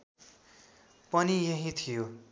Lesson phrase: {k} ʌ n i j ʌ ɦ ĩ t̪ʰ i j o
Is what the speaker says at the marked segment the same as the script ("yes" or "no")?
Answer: no